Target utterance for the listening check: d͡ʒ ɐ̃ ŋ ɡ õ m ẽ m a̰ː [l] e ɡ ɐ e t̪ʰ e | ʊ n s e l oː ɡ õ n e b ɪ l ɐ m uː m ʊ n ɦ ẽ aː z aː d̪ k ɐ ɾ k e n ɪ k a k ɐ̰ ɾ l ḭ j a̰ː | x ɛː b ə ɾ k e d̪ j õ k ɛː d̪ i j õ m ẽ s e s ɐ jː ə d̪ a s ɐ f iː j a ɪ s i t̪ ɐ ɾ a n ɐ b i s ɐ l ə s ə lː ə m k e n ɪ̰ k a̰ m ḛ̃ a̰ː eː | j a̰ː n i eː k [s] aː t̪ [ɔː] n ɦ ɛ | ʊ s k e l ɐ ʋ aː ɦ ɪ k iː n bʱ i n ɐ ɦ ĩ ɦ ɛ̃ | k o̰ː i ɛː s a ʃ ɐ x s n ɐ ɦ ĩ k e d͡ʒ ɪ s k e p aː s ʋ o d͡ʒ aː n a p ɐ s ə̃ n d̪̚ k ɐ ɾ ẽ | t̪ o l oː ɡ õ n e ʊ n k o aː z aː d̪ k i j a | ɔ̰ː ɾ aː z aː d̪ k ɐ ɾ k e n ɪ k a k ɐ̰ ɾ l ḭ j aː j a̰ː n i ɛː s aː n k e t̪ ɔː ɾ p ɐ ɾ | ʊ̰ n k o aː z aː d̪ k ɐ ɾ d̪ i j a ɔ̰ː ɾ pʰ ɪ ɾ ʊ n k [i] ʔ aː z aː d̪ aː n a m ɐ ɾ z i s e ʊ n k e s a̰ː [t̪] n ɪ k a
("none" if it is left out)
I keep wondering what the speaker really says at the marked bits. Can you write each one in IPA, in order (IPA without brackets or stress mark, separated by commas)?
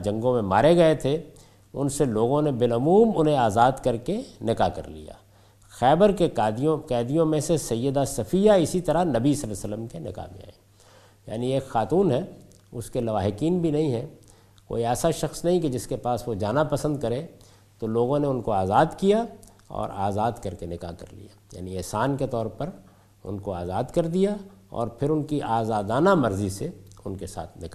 ɾ, x, uː, i, t̪ʰ